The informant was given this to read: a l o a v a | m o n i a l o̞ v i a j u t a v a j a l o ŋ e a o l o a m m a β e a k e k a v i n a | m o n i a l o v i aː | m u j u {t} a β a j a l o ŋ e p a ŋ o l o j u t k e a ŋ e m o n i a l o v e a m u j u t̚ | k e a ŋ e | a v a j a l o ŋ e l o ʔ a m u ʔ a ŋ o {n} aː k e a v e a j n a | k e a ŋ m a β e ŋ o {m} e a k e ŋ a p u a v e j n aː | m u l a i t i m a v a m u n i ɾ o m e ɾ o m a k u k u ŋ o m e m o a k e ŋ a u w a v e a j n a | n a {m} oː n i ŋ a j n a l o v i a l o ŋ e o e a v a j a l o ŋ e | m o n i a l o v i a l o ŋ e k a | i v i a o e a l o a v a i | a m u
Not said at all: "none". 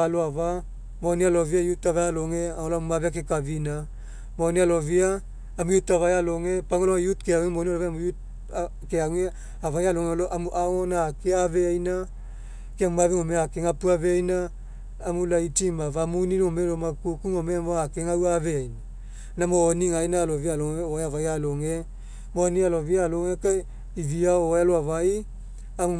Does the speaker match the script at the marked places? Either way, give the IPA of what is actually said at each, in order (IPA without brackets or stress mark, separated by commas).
t, n, m, m